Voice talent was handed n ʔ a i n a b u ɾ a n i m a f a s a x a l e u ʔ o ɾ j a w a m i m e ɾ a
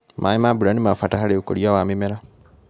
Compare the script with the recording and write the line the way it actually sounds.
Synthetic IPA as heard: m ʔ a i m a b u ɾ a n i m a f a t a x a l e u k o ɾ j a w a m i m e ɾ a